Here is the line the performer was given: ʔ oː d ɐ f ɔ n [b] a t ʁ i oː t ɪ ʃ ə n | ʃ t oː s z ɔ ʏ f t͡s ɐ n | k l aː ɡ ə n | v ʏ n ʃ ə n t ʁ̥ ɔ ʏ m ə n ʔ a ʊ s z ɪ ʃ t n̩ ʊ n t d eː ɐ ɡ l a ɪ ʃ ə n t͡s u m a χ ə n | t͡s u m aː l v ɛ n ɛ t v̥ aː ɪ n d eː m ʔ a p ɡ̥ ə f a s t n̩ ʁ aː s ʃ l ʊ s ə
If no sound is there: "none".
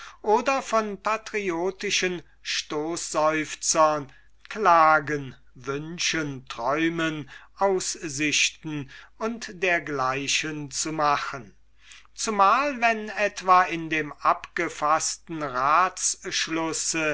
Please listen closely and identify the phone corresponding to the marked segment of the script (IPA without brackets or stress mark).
p